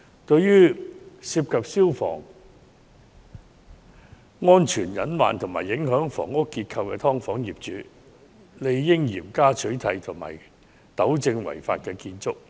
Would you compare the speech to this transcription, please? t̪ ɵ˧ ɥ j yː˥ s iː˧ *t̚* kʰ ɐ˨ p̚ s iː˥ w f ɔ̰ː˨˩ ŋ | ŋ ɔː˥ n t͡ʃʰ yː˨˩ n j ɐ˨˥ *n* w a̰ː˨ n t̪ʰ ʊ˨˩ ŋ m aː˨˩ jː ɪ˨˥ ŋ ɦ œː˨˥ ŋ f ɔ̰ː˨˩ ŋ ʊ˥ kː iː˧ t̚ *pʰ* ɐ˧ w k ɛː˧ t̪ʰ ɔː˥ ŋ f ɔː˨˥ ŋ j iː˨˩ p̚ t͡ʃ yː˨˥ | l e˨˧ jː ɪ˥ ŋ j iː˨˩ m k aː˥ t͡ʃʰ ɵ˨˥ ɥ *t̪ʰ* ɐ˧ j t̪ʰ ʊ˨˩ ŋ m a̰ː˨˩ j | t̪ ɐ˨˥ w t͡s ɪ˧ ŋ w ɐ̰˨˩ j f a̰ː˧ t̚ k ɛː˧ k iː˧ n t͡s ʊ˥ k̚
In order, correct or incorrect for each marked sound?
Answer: incorrect: p̚, correct, incorrect: kʰ, correct

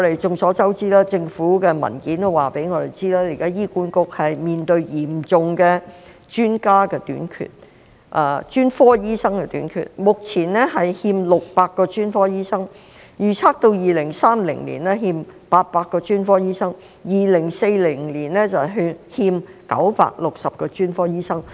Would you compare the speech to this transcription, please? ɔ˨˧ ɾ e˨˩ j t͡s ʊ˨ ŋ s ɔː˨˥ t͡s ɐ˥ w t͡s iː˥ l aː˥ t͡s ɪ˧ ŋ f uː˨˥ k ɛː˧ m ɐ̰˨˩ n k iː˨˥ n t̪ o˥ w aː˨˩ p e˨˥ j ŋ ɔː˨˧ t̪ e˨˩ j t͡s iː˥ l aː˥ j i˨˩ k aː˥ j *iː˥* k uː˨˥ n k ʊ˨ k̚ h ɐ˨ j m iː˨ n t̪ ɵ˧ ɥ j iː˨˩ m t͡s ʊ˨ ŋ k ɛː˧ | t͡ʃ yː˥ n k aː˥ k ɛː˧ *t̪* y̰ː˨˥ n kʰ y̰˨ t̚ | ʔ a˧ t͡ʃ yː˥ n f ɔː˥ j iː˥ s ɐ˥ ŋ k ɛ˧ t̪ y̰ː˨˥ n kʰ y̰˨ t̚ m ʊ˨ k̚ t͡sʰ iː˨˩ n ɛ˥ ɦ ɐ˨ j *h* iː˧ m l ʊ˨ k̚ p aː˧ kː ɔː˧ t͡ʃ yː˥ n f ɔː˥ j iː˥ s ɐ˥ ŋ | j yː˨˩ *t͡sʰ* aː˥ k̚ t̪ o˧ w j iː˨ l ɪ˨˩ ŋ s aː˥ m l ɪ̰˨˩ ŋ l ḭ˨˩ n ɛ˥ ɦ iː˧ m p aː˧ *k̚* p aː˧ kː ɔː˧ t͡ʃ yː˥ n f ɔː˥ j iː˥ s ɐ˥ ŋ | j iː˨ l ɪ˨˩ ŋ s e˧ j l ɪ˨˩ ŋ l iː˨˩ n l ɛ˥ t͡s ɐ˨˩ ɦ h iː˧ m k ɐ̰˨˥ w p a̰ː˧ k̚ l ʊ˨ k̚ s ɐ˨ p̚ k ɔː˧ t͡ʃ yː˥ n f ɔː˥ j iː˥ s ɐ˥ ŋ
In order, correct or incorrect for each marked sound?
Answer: correct, correct, correct, correct, incorrect: t̚

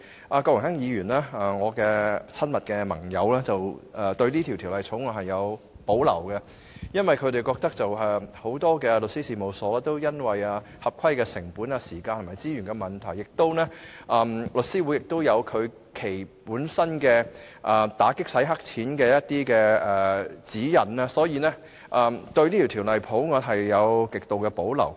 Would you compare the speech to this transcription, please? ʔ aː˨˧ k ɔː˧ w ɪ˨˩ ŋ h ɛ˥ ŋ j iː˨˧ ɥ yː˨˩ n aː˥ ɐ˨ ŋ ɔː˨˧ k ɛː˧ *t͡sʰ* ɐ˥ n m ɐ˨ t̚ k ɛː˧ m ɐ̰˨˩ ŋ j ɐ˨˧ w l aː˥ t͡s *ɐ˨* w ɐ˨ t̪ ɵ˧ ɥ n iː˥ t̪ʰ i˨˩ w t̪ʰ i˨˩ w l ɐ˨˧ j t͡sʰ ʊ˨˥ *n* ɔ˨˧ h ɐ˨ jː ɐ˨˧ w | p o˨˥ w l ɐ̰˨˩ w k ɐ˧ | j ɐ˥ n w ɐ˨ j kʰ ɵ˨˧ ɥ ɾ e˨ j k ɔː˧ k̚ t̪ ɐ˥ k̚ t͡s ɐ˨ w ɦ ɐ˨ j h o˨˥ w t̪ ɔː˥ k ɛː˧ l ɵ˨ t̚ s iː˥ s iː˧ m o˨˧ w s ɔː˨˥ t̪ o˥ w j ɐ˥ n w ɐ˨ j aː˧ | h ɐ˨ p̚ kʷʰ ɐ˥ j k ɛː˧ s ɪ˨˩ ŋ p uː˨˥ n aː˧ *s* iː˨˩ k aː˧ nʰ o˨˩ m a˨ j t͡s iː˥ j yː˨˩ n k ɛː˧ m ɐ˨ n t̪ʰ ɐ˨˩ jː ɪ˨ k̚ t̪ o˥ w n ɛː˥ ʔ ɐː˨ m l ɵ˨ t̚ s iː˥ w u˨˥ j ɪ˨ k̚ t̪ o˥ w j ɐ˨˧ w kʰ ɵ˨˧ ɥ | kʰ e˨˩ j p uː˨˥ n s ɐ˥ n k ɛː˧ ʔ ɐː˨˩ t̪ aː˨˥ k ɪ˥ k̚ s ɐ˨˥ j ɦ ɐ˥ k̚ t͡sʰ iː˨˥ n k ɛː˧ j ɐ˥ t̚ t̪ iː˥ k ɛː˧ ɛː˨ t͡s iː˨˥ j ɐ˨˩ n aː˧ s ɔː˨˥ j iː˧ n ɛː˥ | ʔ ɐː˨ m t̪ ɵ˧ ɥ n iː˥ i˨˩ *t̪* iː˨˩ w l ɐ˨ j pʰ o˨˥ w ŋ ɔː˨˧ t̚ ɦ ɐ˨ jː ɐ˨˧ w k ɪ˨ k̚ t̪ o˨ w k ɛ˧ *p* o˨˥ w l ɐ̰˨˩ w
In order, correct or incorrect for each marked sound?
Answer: correct, correct, incorrect: ŋ, correct, incorrect: t̪ʰ, correct

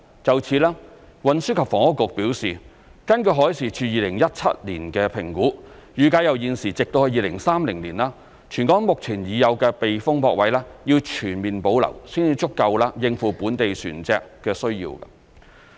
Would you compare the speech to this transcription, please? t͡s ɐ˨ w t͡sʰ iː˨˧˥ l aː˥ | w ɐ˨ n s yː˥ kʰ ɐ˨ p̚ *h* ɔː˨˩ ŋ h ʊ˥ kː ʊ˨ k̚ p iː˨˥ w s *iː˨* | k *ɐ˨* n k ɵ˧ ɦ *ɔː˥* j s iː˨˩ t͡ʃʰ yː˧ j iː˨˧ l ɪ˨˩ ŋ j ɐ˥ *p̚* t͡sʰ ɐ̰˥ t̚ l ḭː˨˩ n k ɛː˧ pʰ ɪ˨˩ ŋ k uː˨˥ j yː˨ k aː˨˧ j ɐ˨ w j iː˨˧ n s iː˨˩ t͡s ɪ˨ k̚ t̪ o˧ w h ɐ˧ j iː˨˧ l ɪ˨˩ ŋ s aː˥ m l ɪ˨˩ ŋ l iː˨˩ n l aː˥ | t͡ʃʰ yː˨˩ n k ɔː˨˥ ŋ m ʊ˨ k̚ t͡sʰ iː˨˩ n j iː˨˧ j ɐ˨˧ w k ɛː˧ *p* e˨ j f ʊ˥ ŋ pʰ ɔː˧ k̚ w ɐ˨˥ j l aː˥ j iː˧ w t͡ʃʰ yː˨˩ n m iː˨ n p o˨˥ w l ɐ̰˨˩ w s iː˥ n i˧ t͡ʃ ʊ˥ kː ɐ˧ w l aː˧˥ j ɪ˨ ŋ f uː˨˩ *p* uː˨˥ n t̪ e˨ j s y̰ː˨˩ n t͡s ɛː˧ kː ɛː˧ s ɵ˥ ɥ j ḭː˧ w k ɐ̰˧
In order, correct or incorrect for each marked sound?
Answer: incorrect: f, correct, incorrect: ɐ˥, incorrect: ɔː˨˥, incorrect: t̚, correct, correct

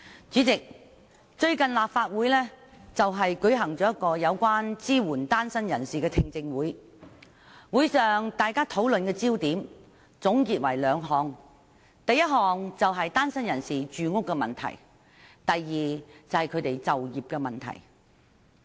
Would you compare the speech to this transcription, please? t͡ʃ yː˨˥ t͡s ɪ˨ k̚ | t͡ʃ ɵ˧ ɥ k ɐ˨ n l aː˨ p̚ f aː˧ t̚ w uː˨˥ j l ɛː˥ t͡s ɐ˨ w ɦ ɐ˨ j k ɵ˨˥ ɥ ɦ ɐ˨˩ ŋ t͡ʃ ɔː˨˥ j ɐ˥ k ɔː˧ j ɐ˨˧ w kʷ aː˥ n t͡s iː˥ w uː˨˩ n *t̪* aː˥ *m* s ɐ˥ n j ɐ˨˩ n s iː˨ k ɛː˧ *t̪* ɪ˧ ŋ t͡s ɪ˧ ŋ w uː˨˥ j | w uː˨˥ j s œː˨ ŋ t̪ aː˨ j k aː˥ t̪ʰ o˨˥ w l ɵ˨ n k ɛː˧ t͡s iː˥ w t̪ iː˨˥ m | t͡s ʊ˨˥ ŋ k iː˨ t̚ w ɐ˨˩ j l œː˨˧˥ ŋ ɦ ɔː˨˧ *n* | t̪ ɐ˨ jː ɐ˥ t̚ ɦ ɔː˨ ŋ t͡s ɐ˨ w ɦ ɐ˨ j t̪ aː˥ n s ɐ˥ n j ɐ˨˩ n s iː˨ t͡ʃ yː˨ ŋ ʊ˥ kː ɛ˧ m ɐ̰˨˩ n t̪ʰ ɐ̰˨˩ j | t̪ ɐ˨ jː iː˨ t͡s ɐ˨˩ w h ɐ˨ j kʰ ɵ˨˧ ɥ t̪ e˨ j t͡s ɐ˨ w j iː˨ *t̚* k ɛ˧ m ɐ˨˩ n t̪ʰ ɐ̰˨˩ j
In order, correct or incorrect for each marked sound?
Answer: correct, incorrect: n, incorrect: t̪ʰ, incorrect: ŋ, incorrect: p̚

